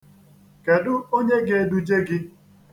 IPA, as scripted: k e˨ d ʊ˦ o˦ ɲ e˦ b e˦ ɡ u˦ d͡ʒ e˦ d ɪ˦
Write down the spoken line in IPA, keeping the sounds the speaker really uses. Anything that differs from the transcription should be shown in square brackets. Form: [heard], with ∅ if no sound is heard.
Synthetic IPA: k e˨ d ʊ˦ o˦ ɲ e˦ [ɡ] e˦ [d] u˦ d͡ʒ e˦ [ɡ] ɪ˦

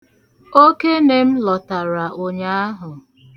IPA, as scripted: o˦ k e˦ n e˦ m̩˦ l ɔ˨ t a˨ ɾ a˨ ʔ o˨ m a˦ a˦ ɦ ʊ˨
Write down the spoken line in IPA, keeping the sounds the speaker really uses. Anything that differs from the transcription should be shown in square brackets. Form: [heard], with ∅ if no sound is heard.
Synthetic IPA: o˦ k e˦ n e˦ m̩˦ l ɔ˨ t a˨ ɾ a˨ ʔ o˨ [ɲ] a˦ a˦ ɦ ʊ˨

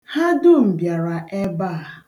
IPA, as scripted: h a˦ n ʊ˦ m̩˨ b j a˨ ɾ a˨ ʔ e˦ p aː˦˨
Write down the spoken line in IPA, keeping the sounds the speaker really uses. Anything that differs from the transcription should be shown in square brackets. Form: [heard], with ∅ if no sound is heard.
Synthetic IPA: h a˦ [d] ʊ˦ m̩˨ b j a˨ ɾ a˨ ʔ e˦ [b] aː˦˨

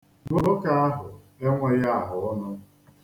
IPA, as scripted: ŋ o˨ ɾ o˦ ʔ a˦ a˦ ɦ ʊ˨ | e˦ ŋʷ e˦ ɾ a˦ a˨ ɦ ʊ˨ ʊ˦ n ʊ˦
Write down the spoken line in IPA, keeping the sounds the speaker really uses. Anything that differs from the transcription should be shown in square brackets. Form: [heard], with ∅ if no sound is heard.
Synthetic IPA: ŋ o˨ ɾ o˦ [k] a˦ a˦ ɦ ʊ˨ | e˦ ŋʷ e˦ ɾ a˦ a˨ ɦ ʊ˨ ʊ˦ n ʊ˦

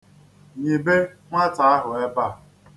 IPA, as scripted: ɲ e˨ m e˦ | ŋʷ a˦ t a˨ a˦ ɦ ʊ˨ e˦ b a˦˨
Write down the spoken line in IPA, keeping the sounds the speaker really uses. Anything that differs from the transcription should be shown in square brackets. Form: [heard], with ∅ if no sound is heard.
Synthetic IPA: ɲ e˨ [b] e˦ | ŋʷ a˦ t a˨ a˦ ɦ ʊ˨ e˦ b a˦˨

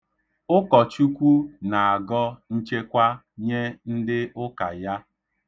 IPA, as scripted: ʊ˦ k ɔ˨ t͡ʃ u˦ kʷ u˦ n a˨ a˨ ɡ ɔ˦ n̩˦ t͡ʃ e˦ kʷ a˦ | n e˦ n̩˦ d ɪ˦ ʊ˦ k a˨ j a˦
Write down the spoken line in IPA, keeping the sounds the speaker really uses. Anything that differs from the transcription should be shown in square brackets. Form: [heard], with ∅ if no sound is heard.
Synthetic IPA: ʊ˦ k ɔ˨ t͡ʃ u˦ kʷ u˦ n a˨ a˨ ɡ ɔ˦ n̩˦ t͡ʃ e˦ kʷ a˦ | [ɲ] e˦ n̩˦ d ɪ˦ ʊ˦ k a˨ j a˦

